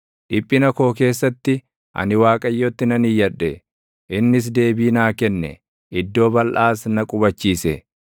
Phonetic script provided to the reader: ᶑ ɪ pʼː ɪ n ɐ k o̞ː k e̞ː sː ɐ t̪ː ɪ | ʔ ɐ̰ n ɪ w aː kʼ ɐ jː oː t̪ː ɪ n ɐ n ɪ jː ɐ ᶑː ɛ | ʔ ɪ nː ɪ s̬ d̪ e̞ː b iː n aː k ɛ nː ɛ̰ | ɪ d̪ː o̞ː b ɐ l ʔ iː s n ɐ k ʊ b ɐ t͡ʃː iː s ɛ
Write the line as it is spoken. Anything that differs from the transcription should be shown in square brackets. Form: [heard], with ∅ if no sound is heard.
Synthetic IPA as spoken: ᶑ ɪ pʼː ɪ n ɐ k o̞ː k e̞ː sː ɐ t̪ː ɪ | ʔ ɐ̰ n ɪ w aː kʼ ɐ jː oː t̪ː ɪ n ɐ n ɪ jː ɐ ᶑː ɛ | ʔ ɪ nː ɪ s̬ d̪ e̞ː b iː n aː k ɛ nː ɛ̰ | ɪ d̪ː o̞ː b ɐ l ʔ [aː] s n ɐ [kʼ] ʊ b ɐ t͡ʃː iː s ɛ